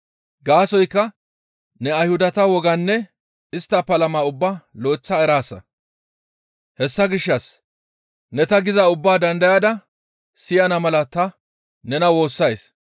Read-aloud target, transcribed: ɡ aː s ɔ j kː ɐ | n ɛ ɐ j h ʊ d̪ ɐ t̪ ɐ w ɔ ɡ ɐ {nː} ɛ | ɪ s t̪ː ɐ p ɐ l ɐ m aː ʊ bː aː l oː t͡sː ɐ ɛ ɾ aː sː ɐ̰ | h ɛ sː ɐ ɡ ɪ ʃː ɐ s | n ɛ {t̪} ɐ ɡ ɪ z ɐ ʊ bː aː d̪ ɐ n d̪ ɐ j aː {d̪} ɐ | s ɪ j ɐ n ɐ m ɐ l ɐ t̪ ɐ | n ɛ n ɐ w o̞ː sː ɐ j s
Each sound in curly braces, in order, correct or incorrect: correct, correct, correct

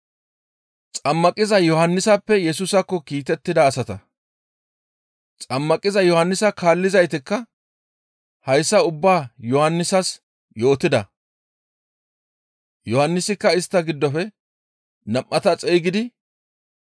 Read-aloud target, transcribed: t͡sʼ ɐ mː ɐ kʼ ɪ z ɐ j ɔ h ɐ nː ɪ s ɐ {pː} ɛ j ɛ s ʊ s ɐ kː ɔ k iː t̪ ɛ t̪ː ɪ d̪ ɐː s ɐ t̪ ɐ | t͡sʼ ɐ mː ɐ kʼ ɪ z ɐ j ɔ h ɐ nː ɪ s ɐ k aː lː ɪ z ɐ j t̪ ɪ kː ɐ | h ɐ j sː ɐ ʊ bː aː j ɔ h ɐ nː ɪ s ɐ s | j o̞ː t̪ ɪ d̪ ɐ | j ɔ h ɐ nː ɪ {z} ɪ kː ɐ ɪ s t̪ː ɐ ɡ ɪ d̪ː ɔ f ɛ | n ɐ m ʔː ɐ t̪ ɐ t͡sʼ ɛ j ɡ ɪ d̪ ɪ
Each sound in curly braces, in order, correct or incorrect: correct, incorrect: s

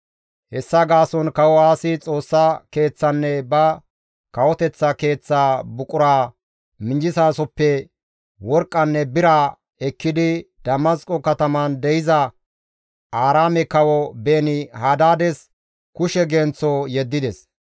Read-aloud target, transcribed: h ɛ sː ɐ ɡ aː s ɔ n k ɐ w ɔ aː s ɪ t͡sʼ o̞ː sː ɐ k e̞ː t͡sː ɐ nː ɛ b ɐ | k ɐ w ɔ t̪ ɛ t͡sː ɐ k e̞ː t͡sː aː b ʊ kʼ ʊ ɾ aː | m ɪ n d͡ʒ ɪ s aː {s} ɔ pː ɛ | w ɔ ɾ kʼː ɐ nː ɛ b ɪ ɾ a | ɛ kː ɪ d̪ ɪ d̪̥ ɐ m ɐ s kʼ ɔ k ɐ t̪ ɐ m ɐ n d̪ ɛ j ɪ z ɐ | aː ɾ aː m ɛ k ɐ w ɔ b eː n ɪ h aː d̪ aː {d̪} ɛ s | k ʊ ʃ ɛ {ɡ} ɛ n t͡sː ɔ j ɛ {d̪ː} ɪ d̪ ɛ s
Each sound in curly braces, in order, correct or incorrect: correct, correct, correct, correct

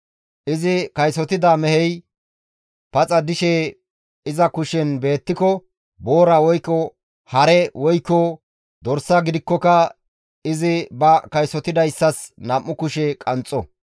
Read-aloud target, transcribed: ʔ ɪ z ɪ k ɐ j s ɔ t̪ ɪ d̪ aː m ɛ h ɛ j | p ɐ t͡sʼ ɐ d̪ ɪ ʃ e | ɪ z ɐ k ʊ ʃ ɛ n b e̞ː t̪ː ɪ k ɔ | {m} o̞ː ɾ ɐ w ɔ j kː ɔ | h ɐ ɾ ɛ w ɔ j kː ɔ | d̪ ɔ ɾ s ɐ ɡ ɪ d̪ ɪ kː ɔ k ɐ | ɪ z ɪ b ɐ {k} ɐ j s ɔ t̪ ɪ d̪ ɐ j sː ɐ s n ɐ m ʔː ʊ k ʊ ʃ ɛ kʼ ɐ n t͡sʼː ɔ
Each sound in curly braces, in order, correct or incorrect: incorrect: b, correct

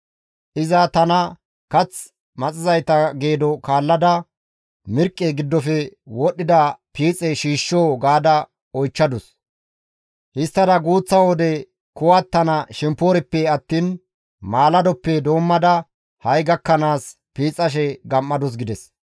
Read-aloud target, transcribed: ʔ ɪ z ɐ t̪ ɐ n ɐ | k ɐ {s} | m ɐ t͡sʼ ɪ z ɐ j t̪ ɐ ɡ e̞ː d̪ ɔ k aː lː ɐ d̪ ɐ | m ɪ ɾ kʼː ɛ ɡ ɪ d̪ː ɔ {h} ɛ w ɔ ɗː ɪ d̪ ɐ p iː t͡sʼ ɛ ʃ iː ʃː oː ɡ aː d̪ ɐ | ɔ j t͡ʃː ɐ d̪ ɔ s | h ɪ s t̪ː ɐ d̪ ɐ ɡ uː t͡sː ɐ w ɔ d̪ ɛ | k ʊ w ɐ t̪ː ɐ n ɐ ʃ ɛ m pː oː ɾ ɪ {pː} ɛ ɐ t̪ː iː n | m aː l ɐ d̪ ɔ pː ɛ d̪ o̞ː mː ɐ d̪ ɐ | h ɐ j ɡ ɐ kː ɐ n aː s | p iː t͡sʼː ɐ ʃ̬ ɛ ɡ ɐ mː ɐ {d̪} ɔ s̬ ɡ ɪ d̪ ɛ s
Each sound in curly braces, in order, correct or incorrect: incorrect: t͡s, incorrect: f, correct, correct

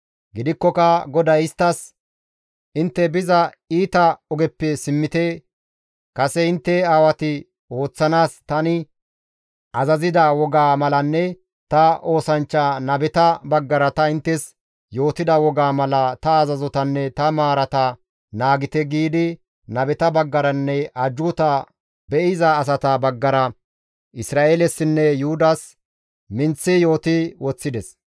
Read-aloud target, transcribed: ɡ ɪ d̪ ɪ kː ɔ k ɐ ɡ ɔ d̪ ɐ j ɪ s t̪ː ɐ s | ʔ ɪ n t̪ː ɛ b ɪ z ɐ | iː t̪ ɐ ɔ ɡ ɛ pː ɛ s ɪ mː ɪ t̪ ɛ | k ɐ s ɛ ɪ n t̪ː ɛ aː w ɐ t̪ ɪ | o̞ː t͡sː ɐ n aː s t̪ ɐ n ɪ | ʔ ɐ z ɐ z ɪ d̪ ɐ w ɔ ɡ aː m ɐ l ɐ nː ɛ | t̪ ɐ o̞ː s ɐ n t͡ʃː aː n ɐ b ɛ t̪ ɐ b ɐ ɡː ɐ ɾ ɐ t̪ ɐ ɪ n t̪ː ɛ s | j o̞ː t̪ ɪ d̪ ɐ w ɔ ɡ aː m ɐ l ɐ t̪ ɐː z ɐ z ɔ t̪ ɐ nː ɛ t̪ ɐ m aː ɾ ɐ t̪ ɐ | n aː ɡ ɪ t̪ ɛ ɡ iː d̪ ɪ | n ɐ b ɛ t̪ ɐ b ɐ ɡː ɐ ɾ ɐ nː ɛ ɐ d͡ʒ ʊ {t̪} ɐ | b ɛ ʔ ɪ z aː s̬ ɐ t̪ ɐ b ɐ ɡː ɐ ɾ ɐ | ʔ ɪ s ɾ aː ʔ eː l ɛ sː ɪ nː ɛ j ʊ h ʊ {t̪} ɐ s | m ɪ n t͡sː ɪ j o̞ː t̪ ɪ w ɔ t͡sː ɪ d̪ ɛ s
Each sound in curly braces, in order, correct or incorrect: correct, incorrect: d̪

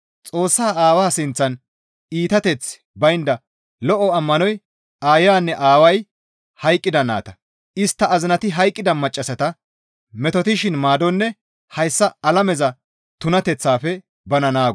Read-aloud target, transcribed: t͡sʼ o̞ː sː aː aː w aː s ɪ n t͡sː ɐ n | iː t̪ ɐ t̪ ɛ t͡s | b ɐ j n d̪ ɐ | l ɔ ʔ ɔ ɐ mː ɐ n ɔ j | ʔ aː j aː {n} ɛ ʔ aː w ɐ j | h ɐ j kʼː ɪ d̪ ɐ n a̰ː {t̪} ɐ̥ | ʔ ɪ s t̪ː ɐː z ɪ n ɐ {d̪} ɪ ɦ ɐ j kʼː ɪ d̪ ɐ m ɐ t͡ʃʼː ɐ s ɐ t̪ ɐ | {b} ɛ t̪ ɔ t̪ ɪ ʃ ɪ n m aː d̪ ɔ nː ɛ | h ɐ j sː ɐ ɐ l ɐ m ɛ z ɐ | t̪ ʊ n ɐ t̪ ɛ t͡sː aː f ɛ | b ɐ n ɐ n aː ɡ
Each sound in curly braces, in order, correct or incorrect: incorrect: nː, correct, incorrect: t̪, incorrect: m

